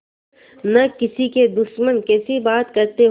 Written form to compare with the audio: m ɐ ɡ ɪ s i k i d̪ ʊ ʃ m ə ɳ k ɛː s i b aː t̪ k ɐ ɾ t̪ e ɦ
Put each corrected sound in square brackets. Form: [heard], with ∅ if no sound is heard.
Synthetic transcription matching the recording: [n] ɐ [k] ɪ s i k [e] d̪ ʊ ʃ m ə [n] k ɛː s i b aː t̪ k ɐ ɾ t̪ e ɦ